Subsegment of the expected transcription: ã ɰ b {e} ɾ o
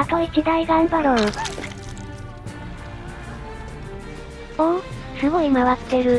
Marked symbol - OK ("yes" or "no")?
no